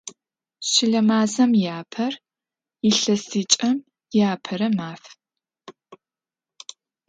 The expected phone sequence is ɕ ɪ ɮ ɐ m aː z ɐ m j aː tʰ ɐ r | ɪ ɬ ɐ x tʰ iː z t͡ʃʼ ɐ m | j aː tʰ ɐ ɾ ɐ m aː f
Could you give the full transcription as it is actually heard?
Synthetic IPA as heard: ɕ ɪ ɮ ɐ m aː z ɐ m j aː pʰ ɐ r | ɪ ɬ ɐ s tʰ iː t͡ʃʼ ɐ m | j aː pʰ ɐ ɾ ɐ m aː f